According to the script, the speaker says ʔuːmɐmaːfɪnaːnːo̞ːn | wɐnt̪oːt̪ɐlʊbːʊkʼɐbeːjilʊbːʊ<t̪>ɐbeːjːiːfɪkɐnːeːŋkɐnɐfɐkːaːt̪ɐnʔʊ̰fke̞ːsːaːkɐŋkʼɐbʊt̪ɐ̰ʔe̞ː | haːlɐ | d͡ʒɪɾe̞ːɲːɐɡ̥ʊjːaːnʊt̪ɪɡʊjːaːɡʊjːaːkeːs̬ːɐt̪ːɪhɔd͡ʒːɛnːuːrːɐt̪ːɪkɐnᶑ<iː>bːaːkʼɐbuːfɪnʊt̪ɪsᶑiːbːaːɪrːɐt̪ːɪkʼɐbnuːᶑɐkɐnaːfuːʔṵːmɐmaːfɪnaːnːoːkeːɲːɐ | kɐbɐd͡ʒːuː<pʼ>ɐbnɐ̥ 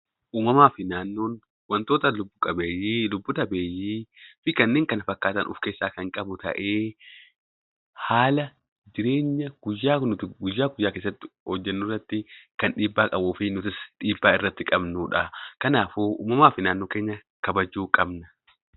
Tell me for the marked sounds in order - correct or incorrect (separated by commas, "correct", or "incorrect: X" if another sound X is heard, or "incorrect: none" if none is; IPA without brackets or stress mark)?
correct, correct, incorrect: kʼ